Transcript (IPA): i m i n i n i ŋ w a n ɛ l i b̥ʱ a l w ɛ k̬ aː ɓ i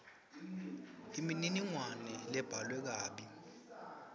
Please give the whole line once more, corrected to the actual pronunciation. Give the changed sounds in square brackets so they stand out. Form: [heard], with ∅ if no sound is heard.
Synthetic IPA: i m i n i n i ŋ w a n ɛ l [ɛ] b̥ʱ a l w ɛ k̬ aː ɓ i